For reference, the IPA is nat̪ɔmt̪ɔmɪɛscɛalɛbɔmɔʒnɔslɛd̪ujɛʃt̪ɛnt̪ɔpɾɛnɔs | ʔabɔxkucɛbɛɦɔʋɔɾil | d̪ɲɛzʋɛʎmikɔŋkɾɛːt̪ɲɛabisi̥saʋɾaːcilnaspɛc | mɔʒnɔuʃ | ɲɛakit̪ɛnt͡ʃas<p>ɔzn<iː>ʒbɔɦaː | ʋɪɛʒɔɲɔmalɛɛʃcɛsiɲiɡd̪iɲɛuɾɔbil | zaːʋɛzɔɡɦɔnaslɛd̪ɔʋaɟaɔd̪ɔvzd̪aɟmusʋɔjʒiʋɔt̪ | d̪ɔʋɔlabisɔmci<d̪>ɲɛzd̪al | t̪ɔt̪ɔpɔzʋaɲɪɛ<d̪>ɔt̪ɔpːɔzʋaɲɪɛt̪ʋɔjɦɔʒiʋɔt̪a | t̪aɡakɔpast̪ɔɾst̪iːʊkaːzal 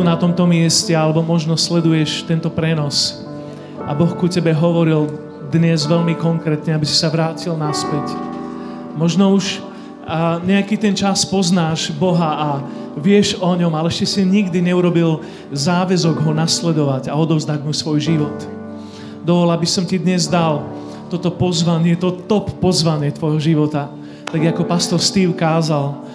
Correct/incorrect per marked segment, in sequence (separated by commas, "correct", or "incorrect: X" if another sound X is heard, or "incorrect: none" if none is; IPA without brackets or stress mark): correct, incorrect: aː, correct, incorrect: t̪